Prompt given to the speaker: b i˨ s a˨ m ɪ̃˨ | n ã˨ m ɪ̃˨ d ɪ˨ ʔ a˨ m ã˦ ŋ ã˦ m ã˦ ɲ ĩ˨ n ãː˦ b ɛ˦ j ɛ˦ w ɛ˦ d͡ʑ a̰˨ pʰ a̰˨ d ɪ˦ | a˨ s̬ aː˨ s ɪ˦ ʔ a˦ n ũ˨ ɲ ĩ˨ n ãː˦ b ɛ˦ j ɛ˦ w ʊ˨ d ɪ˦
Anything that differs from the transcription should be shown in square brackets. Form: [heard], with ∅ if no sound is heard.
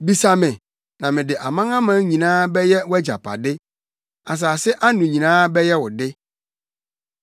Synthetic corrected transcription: b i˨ s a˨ m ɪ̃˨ | n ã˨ m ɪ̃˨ d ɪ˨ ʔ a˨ m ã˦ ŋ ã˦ m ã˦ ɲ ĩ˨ n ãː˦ b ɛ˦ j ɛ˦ w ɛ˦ d͡ʑ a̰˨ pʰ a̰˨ d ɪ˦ | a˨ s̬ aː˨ s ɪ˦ ʔ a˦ n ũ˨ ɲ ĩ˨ n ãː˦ b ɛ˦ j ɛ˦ w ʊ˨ d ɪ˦